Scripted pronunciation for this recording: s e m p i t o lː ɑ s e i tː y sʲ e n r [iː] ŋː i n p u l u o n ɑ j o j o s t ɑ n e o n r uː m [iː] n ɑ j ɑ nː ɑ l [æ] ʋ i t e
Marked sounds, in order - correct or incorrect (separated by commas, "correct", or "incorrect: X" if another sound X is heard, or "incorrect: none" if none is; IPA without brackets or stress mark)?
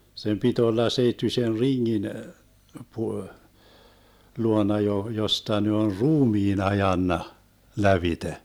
incorrect: i, correct, correct